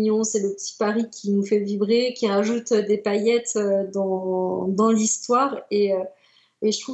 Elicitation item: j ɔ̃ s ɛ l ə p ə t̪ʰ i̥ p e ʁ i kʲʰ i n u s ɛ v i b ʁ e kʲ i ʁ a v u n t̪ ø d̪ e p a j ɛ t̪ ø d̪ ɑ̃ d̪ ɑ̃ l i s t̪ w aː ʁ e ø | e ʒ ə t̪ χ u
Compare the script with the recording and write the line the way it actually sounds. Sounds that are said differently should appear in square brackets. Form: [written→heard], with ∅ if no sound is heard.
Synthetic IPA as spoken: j ɔ̃ s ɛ l ə p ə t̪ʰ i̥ p [e→a] ʁ i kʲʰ i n u [s→f] ɛ v i b ʁ e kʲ i ʁ a [v→ʒ] u [n→∅] t̪ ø d̪ e p a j ɛ t̪ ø d̪ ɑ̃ d̪ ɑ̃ l i s t̪ w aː ʁ e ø | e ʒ ə t̪ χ u